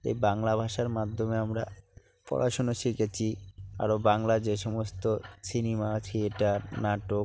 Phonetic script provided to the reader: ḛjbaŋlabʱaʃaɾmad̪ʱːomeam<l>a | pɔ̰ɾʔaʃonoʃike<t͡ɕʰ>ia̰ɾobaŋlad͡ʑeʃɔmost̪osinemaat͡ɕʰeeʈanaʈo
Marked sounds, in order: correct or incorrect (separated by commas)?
incorrect, correct